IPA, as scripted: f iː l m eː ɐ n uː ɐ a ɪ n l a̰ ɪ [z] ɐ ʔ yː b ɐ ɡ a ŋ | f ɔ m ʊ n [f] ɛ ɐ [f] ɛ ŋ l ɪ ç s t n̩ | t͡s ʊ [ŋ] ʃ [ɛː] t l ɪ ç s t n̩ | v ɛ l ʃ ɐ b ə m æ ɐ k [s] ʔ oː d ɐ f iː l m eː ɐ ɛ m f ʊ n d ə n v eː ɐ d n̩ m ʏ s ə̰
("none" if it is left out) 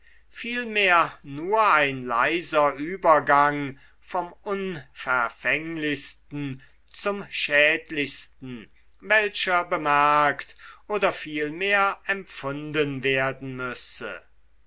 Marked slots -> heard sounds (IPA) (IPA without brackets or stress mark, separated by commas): z, f, f, m, ɛː, t